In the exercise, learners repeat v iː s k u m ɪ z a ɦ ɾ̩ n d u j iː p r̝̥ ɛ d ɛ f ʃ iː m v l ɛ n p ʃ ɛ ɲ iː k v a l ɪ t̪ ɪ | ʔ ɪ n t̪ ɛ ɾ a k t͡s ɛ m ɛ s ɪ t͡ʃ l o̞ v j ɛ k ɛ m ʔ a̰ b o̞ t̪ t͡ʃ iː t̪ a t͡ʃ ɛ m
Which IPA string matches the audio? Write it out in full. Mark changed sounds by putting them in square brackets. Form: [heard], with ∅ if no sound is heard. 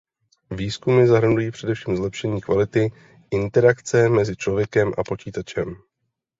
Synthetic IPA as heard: v iː s k u m ɪ z a ɦ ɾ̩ n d u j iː p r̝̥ ɛ d ɛ f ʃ iː m [z] l ɛ [∅] p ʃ ɛ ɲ iː k v a l ɪ t̪ ɪ | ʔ ɪ n t̪ ɛ ɾ a k t͡s ɛ m ɛ [z] ɪ t͡ʃ l o̞ v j ɛ k ɛ m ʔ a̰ [p] o̞ [∅] t͡ʃ iː t̪ a t͡ʃ ɛ m